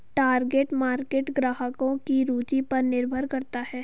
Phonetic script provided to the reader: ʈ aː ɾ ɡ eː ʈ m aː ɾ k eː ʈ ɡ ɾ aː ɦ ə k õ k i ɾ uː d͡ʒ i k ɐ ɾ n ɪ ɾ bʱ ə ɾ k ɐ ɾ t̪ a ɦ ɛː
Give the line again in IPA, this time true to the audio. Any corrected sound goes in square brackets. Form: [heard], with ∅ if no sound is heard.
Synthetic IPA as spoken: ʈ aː ɾ ɡ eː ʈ m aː ɾ k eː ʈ ɡ ɾ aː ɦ ə k õ k i ɾ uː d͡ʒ i [p] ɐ ɾ n ɪ ɾ bʱ ə ɾ k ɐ ɾ t̪ a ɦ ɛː